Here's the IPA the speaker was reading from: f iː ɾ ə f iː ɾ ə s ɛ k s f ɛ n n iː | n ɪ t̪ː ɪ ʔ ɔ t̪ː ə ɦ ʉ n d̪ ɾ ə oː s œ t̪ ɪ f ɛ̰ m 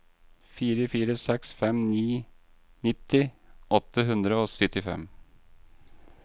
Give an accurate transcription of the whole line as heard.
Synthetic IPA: f iː ɾ ə f iː ɾ ə s ɛ k s f ɛ m n iː | n ɪ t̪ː ɪ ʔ ɔ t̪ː ə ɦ ʉ n d̪ ɾ ə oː s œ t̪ ɪ f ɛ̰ m